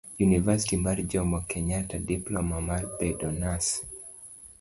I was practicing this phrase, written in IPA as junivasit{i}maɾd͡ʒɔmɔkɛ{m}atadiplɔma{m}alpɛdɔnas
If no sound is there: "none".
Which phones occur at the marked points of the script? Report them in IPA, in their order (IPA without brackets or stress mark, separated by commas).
i, ɲ, m